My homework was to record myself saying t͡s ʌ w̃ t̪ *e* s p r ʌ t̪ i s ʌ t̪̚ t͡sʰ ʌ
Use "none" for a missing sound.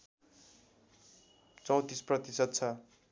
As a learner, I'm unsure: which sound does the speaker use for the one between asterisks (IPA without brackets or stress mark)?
i